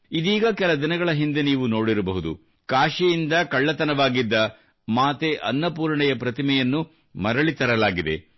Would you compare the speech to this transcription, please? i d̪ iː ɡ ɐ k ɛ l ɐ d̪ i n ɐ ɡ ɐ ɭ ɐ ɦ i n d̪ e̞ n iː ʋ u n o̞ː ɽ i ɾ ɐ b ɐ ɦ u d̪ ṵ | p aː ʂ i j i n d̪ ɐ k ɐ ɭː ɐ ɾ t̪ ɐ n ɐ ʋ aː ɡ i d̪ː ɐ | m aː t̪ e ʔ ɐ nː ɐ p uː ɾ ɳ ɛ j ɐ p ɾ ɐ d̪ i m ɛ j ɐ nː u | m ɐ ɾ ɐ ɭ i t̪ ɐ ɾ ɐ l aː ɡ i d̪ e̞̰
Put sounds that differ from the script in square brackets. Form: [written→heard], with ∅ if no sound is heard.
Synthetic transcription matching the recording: i d̪ iː ɡ ɐ k ɛ l ɐ d̪ i n ɐ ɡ ɐ ɭ ɐ ɦ i n d̪ e̞ n iː ʋ u n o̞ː ɽ i ɾ ɐ b ɐ ɦ u d̪ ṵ | [p→k] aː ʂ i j i n d̪ ɐ k ɐ ɭː ɐ [ɾ→∅] t̪ ɐ n ɐ ʋ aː ɡ i d̪ː ɐ | m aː t̪ e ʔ ɐ nː ɐ p uː ɾ ɳ ɛ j ɐ p ɾ ɐ [d̪→t̪] i m ɛ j ɐ nː u | m ɐ ɾ ɐ ɭ i t̪ ɐ ɾ ɐ l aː ɡ i d̪ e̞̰